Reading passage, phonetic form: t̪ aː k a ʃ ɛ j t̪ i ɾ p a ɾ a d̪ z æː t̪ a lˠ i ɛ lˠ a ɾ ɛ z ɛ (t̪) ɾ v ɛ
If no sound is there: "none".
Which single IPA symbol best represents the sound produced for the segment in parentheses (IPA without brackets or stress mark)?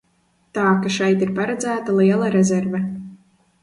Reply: none